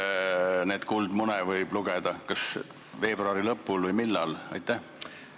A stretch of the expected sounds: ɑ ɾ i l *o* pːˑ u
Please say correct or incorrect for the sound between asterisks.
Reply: incorrect